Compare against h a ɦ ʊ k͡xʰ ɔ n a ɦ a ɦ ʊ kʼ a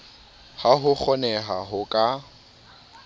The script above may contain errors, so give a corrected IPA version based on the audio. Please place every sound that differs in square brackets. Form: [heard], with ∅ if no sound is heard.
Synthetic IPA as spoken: h a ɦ ʊ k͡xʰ ɔ n [ɛ] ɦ a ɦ ʊ kʼ a